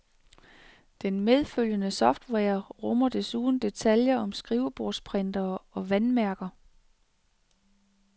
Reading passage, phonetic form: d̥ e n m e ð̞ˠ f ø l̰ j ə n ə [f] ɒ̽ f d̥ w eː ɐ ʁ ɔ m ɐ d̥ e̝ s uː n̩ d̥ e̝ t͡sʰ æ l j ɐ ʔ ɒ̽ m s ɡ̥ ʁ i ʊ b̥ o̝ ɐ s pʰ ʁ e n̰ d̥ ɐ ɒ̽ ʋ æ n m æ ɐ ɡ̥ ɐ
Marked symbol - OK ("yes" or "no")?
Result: no